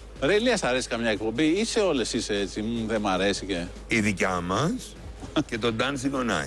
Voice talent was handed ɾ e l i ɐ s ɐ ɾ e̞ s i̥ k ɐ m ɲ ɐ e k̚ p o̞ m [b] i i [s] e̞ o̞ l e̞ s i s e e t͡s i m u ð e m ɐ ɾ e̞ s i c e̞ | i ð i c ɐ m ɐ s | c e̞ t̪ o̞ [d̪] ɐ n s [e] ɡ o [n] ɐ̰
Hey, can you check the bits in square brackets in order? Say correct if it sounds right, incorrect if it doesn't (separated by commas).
correct, correct, correct, incorrect, correct